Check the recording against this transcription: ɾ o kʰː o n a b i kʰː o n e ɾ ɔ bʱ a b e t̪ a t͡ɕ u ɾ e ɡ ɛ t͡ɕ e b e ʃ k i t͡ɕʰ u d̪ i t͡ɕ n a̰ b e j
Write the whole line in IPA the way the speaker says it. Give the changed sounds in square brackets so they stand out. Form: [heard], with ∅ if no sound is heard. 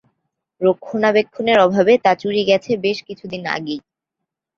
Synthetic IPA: ɾ o kʰː o n a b [e] kʰː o n e ɾ ɔ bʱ a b e t̪ a t͡ɕ u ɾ [i] ɡ ɛ [t͡ɕʰ] e b e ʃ k i t͡ɕʰ u d̪ i [∅] n a̰ [ɡ] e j